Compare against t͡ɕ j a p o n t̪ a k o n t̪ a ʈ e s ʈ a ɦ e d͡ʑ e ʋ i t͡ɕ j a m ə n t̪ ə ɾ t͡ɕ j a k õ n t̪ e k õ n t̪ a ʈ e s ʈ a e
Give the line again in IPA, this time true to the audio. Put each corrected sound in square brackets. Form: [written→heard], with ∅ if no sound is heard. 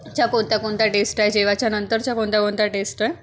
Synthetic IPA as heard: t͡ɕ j a [p→k] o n t̪ a k o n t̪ a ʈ e s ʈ a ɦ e d͡ʑ e ʋ [i→a] t͡ɕ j a [m→n] ə n t̪ ə ɾ t͡ɕ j a k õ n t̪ [e→a] k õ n t̪ a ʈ e s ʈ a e